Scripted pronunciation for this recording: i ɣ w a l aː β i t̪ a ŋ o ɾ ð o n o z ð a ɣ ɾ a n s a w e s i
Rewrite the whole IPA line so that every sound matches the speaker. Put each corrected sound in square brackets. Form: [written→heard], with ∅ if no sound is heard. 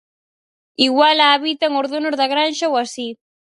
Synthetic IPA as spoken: i ɣ w a l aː β i t̪ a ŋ o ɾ ð o n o z ð a ɣ ɾ a n [s→ʃ] a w [e→a] s i